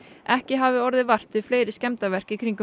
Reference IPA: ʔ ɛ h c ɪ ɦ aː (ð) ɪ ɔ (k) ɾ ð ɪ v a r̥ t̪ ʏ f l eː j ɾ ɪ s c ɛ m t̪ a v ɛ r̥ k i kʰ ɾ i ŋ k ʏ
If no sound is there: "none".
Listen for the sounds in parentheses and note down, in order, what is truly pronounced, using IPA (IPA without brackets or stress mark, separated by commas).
v, none